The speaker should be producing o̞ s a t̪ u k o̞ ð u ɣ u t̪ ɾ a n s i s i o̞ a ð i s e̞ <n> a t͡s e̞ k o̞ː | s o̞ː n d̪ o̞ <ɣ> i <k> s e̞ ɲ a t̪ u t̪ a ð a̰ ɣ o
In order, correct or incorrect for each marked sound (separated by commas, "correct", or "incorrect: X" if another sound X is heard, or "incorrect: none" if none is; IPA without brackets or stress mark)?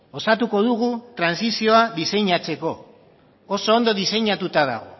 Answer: incorrect: ɲ, incorrect: ð, incorrect: none